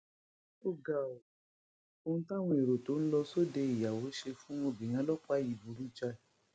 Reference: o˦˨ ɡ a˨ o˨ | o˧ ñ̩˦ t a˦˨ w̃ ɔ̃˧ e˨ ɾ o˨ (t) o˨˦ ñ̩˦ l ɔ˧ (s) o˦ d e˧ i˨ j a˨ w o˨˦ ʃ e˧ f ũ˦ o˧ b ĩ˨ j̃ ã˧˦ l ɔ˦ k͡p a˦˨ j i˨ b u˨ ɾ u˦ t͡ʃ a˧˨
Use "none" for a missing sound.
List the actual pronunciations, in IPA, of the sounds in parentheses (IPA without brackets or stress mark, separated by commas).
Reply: t, s